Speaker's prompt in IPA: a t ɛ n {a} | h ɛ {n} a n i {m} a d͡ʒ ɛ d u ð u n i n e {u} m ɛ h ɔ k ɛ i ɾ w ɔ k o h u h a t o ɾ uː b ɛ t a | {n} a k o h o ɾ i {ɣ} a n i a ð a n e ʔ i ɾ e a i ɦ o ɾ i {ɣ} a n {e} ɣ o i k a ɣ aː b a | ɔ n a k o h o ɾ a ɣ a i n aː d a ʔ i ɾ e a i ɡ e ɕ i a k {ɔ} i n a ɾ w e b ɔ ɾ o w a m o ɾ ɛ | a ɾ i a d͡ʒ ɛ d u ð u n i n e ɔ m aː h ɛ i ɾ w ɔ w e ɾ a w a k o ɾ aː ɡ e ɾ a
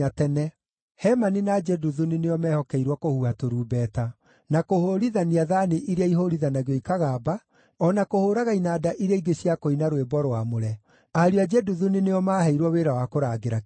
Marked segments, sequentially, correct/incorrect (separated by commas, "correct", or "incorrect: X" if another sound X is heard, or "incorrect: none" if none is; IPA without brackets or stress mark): incorrect: ɛ, incorrect: m, incorrect: n, incorrect: ɔ, correct, incorrect: ð, incorrect: ð, incorrect: a, incorrect: o